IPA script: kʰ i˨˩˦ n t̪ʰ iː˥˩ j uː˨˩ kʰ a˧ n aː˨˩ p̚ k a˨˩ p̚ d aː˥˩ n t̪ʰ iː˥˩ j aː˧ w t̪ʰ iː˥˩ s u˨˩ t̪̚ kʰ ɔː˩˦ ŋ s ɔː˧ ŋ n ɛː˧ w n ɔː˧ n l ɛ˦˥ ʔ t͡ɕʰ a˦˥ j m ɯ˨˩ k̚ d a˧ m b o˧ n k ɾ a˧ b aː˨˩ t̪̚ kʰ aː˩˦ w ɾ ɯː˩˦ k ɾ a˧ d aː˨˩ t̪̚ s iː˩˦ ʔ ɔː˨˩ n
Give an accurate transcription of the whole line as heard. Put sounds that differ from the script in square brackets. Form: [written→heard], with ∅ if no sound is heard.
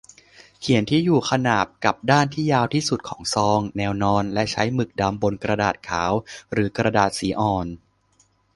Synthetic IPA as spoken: kʰ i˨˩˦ n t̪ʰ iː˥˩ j uː˨˩ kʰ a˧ n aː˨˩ p̚ k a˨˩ p̚ d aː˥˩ n t̪ʰ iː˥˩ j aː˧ w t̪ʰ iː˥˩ s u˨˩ t̪̚ kʰ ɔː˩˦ ŋ s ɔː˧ ŋ n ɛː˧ w n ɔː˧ n l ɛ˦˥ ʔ t͡ɕʰ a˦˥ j m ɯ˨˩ k̚ d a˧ m b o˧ n k ɾ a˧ [b→d] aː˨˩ t̪̚ kʰ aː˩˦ w ɾ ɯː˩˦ k ɾ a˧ d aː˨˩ t̪̚ s iː˩˦ ʔ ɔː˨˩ n